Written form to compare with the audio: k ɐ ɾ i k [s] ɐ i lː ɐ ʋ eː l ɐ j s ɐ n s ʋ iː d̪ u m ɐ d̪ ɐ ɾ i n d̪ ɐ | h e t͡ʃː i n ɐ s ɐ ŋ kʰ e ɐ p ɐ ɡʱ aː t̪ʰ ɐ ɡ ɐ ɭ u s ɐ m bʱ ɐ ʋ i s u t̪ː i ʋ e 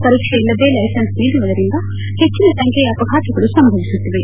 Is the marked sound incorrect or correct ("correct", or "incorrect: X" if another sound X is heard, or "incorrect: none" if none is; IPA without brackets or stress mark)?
incorrect: ʂ